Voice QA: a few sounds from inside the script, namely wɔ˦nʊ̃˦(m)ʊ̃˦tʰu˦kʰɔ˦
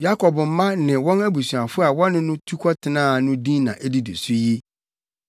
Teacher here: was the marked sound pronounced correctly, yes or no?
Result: no